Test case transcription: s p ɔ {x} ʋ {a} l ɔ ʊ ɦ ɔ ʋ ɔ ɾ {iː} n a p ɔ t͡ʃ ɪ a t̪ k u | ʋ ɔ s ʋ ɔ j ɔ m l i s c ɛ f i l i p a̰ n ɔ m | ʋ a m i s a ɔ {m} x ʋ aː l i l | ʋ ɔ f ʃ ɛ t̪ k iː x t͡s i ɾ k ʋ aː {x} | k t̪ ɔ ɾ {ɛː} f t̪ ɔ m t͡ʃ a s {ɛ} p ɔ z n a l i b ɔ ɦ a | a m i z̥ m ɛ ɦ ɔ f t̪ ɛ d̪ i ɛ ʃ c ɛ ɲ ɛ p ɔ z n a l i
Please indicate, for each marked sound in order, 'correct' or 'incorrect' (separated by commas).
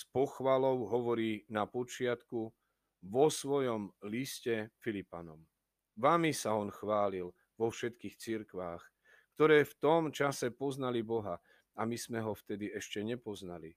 correct, correct, correct, incorrect, correct, correct, correct